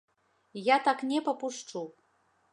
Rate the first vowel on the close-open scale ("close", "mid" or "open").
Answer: open